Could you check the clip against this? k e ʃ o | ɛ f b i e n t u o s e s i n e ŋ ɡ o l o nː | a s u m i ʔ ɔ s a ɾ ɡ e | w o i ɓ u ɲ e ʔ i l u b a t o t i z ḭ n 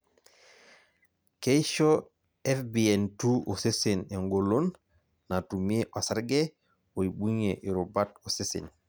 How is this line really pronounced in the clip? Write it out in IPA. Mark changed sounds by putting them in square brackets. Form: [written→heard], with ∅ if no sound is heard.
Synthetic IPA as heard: k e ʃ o | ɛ f b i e n t u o s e s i n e ŋ ɡ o l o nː | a [s→t] u m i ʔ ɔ s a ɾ ɡ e | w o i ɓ u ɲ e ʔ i [l→ɾ] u b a t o [t→s] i [z→s] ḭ n